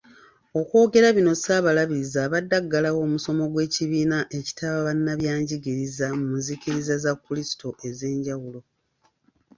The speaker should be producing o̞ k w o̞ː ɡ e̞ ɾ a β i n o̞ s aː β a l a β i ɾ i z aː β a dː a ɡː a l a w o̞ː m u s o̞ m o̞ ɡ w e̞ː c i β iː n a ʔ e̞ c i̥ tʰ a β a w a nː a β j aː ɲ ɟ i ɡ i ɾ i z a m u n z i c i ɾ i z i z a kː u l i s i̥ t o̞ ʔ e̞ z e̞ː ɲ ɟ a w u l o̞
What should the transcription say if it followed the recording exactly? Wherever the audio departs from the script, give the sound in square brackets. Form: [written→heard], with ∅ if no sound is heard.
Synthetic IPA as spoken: o̞ k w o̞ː ɡ e̞ ɾ a β i n o̞ s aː β a l a β i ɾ i z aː β a dː a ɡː a l a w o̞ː m u s o̞ m o̞ ɡ w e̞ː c i β iː n a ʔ e̞ c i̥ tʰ a β a [w→β] a nː a β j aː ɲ ɟ i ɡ i ɾ i z a m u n z i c i ɾ i z [i→a] z a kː u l i s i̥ t o̞ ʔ e̞ z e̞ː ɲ ɟ a w u l o̞